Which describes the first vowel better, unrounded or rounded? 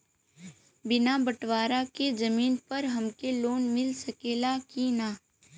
unrounded